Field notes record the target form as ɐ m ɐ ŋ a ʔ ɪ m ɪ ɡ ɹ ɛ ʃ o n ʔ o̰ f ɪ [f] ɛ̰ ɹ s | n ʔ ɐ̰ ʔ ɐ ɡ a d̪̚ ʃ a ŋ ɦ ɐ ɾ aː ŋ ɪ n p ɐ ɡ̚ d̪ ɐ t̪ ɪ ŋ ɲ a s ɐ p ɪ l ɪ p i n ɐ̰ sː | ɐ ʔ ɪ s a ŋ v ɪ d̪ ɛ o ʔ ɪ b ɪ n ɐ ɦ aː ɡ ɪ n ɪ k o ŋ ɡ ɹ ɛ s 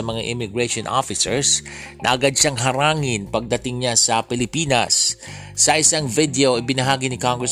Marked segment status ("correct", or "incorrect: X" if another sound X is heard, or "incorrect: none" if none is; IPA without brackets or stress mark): incorrect: s